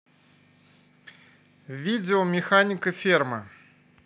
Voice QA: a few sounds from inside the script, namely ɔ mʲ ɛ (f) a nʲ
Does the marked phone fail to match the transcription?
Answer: yes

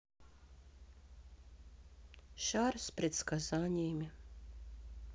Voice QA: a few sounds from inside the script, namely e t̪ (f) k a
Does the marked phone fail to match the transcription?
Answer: yes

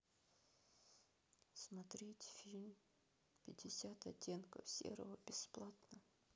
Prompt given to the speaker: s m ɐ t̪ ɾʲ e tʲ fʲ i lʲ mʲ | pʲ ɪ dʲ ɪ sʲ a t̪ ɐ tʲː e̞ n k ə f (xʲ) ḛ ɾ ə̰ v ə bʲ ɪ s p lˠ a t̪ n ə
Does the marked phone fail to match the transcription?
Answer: yes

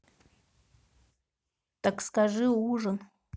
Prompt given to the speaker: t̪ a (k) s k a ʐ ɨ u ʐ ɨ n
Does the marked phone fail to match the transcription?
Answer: no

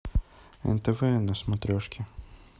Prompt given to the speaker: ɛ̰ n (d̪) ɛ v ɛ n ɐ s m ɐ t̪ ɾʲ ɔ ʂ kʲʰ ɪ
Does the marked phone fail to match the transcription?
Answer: yes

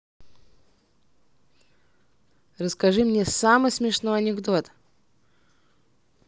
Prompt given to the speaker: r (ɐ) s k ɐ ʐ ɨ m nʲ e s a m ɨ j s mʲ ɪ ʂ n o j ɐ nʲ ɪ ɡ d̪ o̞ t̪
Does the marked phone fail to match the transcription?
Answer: yes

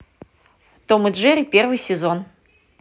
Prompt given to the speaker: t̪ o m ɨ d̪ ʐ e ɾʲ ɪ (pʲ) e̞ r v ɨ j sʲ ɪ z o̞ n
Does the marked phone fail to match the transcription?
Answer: no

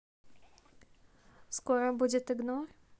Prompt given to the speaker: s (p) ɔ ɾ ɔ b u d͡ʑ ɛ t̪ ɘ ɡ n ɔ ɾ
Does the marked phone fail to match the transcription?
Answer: yes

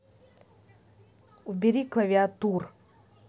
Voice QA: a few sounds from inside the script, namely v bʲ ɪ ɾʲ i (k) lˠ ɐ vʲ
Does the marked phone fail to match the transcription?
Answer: no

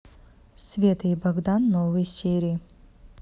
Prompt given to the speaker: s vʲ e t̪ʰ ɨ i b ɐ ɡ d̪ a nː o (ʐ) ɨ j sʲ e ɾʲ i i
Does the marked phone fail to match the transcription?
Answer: yes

